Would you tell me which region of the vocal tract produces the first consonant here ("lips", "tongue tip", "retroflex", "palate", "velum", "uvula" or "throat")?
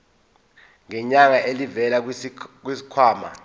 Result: velum